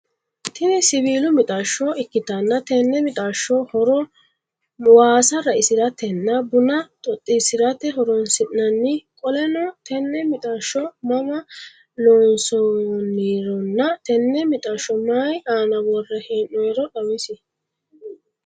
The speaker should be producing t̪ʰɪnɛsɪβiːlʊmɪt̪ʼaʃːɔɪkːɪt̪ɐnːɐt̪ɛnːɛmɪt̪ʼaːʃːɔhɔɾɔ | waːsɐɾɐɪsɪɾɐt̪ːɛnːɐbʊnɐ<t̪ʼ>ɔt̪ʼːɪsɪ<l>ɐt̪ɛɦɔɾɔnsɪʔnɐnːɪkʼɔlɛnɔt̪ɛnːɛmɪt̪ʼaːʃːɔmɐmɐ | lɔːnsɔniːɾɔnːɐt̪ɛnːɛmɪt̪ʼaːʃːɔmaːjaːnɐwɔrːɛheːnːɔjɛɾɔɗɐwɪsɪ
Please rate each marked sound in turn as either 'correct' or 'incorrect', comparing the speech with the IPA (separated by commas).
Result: correct, incorrect